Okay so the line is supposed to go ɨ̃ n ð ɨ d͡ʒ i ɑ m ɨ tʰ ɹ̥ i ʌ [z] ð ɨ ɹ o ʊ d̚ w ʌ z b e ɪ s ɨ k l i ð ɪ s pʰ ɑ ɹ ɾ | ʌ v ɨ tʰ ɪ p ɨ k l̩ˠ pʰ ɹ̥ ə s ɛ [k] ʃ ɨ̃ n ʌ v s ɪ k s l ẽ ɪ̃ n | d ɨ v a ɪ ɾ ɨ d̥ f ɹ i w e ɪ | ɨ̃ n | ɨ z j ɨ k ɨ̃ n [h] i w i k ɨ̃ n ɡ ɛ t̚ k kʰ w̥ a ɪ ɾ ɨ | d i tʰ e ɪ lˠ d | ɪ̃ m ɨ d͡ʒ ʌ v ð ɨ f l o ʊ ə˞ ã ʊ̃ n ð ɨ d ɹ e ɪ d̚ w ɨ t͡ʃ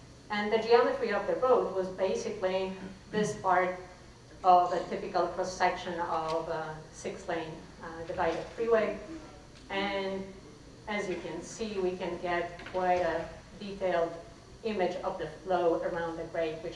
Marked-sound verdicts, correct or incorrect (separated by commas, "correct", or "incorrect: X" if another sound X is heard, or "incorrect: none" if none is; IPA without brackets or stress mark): incorrect: v, correct, incorrect: s